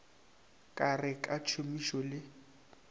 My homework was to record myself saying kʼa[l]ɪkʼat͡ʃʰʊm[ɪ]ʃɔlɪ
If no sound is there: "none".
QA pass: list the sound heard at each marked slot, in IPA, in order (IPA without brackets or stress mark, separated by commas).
r, i